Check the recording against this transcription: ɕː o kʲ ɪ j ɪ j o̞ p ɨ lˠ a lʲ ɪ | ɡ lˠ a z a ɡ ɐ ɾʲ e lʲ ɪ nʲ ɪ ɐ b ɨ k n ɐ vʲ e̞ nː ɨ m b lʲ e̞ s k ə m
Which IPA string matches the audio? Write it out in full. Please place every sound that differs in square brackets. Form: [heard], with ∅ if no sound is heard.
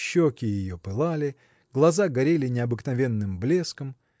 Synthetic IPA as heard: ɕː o kʲ ɪ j ɪ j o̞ p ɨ lˠ a lʲ ɪ | ɡ lˠ [ɐ] z a ɡ ɐ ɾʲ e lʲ ɪ nʲ ɪ ɐ b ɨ k n ɐ vʲ e̞ nː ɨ m b lʲ e̞ s k ə m